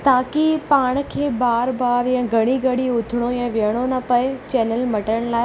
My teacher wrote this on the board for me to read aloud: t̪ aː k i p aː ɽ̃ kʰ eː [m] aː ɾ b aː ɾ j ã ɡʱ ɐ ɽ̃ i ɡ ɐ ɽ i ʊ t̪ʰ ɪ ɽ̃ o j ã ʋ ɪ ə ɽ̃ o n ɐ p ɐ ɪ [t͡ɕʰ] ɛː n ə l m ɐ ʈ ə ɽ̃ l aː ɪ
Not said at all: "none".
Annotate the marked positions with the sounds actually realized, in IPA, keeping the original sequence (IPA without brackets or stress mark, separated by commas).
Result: b, t͡ɕ